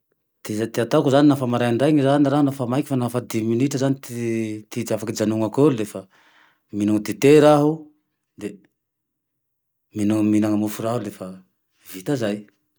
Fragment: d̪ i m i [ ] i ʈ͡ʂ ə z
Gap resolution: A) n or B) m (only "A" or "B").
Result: A